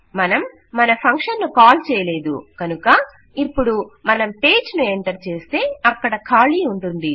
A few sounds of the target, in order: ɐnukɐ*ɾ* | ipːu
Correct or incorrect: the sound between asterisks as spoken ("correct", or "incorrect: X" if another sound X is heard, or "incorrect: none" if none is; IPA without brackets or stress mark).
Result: incorrect: none